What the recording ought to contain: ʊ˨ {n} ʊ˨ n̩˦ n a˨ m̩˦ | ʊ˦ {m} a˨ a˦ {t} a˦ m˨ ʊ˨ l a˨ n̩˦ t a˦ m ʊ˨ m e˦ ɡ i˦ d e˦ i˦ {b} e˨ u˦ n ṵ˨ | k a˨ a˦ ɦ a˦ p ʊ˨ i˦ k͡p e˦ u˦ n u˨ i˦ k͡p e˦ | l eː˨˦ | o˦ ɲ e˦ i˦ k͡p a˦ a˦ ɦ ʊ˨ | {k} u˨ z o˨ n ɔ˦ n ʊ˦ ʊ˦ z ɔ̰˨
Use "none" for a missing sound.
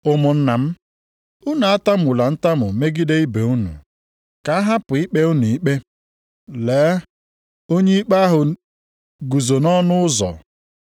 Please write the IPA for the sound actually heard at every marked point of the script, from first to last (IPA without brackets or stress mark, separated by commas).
m, n, t, b, ɡ